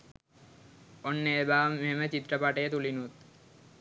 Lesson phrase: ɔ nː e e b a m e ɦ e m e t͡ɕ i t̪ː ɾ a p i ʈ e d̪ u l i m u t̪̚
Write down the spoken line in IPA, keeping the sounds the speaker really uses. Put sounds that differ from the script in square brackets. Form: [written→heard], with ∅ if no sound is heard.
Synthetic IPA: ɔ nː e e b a m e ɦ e m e t͡ɕ i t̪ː ɾ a p [i→a] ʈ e [d̪→t̪] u l i [m→n] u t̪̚

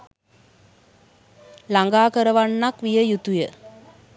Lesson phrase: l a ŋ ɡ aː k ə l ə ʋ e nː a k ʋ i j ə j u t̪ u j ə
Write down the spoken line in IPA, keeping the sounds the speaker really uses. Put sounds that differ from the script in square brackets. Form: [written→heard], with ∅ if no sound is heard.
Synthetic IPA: l a ŋ ɡ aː k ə [l→ɾ] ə ʋ [e→a] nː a k ʋ i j ə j u t̪ u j ə

